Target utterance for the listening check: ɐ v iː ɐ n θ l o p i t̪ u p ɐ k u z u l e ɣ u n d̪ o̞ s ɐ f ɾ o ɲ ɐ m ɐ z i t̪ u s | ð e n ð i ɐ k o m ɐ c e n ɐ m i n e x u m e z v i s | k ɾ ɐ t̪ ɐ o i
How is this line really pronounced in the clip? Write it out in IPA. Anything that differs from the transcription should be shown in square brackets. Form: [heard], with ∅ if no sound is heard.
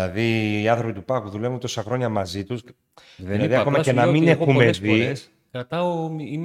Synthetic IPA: ɐ [ð] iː ɐ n θ [ɾ] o p i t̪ u p ɐ k u [ð] u l e [v] u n [t̪] o̞ s ɐ [x] ɾ o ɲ ɐ m ɐ z i t̪ u s | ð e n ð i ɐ k o m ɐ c e n ɐ m i n e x u m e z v i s | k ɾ ɐ t̪ ɐ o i